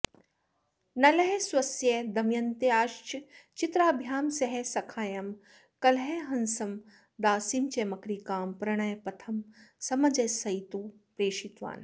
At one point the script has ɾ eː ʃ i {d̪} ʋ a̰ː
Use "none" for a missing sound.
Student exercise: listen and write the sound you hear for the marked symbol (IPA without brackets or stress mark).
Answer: t̪